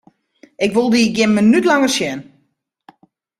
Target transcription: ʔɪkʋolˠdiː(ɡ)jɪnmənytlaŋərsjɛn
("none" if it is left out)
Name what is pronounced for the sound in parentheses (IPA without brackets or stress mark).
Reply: ɡ